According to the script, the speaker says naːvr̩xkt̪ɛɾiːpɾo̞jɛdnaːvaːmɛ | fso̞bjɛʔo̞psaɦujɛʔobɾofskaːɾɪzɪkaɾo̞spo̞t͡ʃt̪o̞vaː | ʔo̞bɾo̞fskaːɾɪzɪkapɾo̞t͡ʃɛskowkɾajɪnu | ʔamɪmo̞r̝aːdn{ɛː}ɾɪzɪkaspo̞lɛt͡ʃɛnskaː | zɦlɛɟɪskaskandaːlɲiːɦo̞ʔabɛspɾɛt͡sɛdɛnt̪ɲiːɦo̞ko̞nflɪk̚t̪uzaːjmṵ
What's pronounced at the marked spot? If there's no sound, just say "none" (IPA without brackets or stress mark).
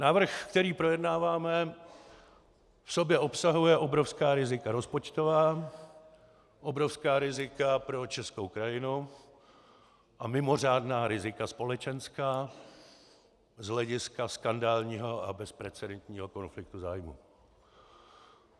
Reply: aː